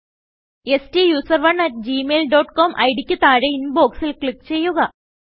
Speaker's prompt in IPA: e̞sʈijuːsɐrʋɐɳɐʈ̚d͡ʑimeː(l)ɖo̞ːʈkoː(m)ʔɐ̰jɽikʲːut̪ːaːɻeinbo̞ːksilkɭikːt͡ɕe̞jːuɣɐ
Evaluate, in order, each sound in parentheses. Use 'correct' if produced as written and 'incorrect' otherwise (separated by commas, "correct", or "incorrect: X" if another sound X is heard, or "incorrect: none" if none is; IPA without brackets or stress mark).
correct, correct